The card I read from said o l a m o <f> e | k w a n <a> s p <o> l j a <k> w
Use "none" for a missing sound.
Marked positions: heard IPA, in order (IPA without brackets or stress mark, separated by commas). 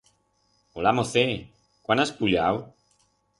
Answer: θ, a, u, none